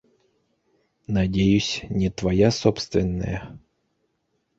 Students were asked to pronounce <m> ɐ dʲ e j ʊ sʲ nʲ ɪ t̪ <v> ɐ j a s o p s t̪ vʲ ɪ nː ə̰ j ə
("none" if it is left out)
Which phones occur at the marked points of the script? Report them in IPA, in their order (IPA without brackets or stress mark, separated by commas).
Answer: n, v